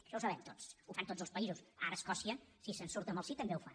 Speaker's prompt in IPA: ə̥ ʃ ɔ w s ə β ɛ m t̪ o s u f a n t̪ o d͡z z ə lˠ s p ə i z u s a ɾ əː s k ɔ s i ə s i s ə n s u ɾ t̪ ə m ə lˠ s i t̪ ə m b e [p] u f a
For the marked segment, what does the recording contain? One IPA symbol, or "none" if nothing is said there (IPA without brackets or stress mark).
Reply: none